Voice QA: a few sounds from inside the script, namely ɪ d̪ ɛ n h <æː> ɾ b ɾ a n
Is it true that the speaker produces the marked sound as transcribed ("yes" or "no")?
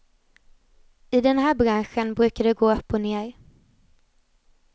yes